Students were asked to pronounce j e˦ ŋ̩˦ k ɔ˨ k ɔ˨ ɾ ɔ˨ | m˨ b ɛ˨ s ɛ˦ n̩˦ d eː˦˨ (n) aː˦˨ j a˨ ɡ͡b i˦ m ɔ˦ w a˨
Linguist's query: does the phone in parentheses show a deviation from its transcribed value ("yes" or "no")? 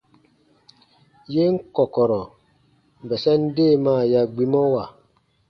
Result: yes